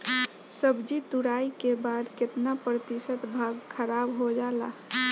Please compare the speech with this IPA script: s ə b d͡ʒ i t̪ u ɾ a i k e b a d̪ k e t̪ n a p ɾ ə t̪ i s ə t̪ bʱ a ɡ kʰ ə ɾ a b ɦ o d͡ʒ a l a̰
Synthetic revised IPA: s ə b d͡ʒ i t̪ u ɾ a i k e b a d̪ k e t̪ n a p ɾ ə t̪ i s ə t̪ bʱ a ɡ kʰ ə ɾ a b ɦ o d͡ʒ a l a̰